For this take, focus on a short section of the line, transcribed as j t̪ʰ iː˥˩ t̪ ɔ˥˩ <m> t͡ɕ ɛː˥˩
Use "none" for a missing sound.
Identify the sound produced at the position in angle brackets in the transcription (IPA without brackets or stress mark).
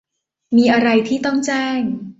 ŋ